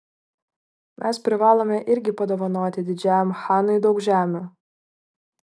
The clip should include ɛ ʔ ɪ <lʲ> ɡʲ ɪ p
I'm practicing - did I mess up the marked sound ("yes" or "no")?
yes